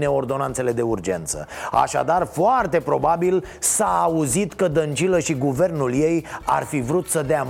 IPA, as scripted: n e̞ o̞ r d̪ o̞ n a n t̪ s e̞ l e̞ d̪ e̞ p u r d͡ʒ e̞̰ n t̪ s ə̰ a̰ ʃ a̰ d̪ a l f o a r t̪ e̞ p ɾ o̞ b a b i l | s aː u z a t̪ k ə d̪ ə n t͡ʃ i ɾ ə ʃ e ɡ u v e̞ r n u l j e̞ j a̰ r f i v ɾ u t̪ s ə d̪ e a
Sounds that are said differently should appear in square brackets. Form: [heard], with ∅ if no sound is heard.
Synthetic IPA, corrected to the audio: n e̞ o̞ r d̪ o̞ n a n t̪ s e̞ l e̞ d̪ e̞ [∅] u r d͡ʒ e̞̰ n t̪ s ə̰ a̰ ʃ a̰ d̪ a [r] f o a r t̪ e̞ p ɾ o̞ b a b i l | s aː u z [i] t̪ k ə d̪ ə n t͡ʃ i [l] ə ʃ [i] ɡ u v e̞ r n u l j e̞ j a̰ r f i v ɾ u t̪ s ə d̪ e a